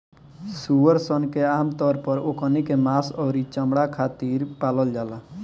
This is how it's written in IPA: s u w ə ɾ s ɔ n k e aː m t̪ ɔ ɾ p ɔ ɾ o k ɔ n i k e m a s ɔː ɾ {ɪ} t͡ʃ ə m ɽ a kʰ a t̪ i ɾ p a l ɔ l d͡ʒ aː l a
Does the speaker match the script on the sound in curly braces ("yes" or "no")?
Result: no